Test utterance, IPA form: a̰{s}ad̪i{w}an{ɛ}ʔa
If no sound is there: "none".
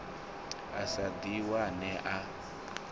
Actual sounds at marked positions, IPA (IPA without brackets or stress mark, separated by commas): s, w, ɛ